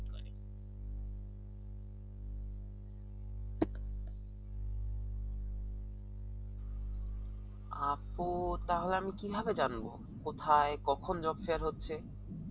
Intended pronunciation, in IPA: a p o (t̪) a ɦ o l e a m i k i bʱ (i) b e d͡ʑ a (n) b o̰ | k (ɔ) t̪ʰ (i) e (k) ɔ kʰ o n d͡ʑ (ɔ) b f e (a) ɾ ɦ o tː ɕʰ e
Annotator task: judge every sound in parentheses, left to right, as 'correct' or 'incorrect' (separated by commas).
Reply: correct, incorrect, correct, incorrect, incorrect, correct, correct, correct